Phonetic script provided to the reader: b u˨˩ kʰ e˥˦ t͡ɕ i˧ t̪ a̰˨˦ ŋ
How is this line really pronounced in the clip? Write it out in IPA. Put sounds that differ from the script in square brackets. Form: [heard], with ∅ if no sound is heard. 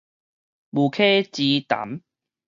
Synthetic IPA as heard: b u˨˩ kʰ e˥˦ t͡ɕ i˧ t̪ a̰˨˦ [m]